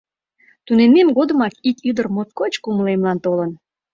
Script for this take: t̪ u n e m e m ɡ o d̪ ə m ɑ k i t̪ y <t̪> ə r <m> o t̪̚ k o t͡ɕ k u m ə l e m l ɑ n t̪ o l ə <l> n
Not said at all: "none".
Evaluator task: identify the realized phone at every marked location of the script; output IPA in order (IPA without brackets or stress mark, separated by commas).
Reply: d̪, m, none